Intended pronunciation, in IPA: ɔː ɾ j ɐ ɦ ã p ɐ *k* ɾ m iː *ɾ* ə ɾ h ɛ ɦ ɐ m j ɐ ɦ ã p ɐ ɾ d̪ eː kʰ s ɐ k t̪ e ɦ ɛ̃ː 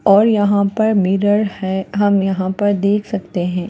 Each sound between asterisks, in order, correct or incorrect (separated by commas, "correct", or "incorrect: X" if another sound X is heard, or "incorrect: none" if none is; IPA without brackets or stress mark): incorrect: none, correct